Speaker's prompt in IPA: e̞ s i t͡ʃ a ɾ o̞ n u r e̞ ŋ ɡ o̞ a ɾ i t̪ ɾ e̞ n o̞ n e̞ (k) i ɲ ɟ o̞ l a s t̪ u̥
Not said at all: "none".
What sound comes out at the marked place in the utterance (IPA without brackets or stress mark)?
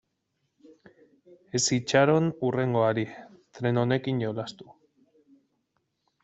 k